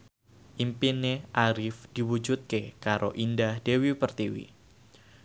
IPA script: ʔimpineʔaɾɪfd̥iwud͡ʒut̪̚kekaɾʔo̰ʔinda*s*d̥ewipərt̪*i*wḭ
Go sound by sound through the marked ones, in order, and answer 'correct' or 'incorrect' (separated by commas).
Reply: incorrect, correct